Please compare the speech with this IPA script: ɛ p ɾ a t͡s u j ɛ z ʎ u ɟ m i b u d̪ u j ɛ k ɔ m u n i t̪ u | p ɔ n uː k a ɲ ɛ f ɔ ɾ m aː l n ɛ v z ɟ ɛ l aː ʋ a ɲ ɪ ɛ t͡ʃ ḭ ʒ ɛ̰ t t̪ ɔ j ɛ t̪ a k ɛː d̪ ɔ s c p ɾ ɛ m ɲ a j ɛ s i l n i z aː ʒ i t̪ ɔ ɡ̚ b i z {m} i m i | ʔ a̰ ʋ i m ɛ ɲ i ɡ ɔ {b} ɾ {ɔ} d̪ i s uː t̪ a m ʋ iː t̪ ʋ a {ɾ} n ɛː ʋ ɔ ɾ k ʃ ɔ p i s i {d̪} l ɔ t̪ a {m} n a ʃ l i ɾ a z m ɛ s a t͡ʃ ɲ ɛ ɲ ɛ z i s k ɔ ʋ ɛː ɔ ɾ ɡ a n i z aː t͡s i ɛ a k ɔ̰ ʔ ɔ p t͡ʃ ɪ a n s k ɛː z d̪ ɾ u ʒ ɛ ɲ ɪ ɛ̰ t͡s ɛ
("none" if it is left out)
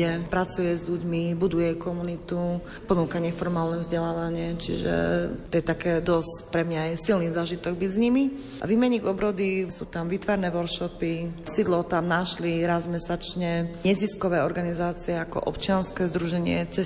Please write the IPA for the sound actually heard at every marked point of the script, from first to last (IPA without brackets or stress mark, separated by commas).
ɲ, b, ɔ, ɾ, d̪, m